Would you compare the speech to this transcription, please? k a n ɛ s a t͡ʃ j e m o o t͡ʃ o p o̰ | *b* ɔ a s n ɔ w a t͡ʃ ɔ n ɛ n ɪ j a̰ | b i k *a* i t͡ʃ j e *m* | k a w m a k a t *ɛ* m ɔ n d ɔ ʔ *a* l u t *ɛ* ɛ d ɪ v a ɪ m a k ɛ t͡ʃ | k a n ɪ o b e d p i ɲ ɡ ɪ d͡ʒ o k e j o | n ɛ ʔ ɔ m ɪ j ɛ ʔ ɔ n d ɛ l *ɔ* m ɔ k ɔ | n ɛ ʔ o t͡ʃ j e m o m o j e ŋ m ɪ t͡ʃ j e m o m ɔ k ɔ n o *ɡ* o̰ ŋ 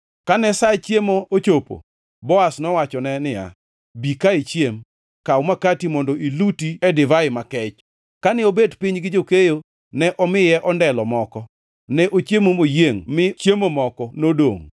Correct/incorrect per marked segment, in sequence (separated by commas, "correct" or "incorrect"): correct, correct, correct, incorrect, incorrect, incorrect, correct, incorrect